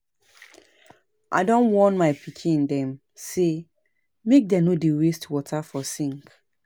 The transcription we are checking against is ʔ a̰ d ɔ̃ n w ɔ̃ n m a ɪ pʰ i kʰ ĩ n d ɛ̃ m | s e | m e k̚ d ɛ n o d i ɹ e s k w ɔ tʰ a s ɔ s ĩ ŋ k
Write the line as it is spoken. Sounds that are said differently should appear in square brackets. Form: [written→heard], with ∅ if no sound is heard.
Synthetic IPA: ʔ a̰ d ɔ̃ n w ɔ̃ n m a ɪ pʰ i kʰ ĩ n d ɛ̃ m | s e | m e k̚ d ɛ n o d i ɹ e s [k→t] w ɔ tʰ a [s→f] ɔ s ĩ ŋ k